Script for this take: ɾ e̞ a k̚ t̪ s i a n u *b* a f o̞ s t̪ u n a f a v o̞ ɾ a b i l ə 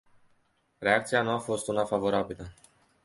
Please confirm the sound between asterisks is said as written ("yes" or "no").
no